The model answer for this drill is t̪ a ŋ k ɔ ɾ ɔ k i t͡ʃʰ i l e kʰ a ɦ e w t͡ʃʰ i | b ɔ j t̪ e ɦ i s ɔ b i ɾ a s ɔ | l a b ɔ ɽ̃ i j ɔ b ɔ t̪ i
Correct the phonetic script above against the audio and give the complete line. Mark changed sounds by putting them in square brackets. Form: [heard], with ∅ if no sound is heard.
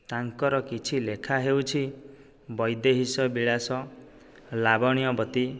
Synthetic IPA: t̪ a ŋ k ɔ ɾ ɔ k i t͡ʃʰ i l e kʰ a ɦ e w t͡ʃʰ i | b ɔ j [d̪] e ɦ i s ɔ b i [ɭ] a s ɔ | l a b ɔ ɽ̃ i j ɔ b ɔ t̪ i